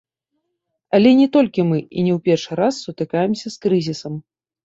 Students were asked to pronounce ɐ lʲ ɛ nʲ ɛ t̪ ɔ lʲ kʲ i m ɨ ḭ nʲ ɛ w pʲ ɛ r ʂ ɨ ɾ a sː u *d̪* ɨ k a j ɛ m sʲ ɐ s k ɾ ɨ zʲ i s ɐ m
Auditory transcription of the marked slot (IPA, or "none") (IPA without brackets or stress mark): t̪